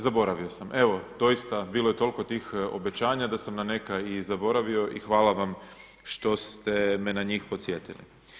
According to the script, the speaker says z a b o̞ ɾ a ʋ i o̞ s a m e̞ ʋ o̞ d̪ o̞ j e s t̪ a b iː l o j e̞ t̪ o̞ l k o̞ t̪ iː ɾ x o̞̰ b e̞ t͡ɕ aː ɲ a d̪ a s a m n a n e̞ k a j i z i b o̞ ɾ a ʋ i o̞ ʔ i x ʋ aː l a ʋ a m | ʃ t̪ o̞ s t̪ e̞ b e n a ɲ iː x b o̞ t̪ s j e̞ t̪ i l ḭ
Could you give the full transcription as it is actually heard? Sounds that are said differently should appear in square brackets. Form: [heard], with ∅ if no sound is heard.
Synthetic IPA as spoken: z a b o̞ ɾ a ʋ i o̞ s a m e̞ ʋ o̞ d̪ o̞ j [i] s t̪ a b iː l o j e̞ t̪ o̞ l k o̞ t̪ iː [∅] x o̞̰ b e̞ t͡ɕ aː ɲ a d̪ a s a m n a n e̞ k a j i z [a] b o̞ ɾ a ʋ i o̞ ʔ i x ʋ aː l a ʋ a m | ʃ t̪ o̞ s t̪ e̞ [m] e n a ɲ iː x [p] o̞ t̪ s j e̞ t̪ i l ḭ

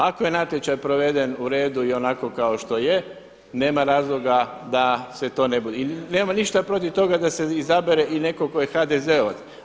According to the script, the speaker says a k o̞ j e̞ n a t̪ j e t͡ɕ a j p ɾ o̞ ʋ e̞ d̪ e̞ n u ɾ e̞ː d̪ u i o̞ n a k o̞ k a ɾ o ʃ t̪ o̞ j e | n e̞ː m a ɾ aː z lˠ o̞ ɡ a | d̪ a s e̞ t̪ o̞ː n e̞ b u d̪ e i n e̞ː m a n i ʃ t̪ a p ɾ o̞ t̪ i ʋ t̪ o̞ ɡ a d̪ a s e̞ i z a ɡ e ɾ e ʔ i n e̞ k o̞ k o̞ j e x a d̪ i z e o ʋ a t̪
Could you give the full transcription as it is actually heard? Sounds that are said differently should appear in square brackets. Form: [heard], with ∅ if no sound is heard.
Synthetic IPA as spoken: a k o̞ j e̞ n a t̪ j e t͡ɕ a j p ɾ o̞ ʋ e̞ d̪ e̞ n u ɾ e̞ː d̪ u i o̞ n a k o̞ k a [∅] o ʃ t̪ o̞ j e | n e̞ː m a ɾ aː z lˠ o̞ ɡ a | d̪ a s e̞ t̪ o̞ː n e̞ b u d̪ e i n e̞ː m a n i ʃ t̪ a p ɾ o̞ t̪ i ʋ t̪ o̞ ɡ a d̪ a s e̞ i z a [b] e ɾ e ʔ i n e̞ k o̞ k o̞ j e x a d̪ [e] z e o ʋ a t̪

